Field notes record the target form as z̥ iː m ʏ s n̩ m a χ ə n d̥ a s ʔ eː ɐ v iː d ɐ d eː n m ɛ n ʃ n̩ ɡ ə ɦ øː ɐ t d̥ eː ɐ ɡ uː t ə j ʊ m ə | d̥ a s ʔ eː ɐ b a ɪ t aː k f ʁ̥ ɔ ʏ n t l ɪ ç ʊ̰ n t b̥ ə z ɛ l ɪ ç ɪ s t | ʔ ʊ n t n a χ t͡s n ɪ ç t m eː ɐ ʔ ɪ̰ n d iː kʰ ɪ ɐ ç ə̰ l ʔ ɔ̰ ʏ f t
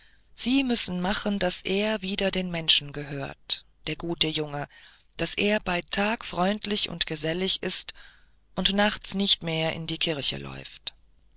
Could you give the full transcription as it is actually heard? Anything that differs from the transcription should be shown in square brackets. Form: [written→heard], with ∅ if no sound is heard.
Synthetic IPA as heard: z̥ iː m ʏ s n̩ m a χ ə n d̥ a s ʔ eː ɐ v iː d ɐ d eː n m ɛ n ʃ n̩ ɡ ə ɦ øː ɐ t d̥ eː ɐ ɡ uː t ə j ʊ [m→ŋ] ə | d̥ a s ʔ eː ɐ b a ɪ [t→tʰ] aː k f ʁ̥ ɔ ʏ n t l ɪ ç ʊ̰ n t [b̥→ɡ̥] ə z ɛ l ɪ ç ɪ s t | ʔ ʊ n t n a χ t͡s n ɪ ç t m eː ɐ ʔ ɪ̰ n d iː kʰ ɪ ɐ ç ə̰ l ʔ ɔ̰ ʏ f t